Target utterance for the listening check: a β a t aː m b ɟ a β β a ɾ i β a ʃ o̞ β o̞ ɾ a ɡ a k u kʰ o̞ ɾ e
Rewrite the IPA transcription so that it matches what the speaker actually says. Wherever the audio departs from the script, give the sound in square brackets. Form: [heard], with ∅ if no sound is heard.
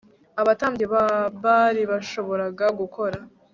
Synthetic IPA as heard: a β a t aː m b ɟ [e] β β a ɾ i β a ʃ o̞ β o̞ ɾ a ɡ a [ɡ] u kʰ o̞ ɾ [a]